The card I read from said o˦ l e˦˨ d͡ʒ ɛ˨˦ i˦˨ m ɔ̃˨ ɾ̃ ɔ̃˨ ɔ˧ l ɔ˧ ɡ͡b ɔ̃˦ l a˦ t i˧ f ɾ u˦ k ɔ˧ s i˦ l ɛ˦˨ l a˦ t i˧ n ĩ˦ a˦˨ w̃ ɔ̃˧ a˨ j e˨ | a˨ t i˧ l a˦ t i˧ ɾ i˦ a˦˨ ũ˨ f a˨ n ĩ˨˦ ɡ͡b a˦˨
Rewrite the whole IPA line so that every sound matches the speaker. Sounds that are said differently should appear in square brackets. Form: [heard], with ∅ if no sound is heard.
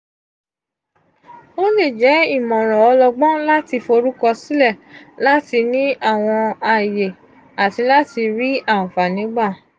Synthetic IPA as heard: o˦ l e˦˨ d͡ʒ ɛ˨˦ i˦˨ m ɔ̃˨ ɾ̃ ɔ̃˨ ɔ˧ l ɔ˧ ɡ͡b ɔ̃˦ l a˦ t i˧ f ɾ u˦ k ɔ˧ s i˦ l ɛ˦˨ l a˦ t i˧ n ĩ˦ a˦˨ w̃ ɔ̃˧ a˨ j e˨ | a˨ t i˧ l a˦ t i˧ ɾ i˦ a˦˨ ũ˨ f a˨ n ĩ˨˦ ɡ͡b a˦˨